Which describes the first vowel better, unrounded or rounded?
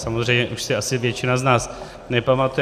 unrounded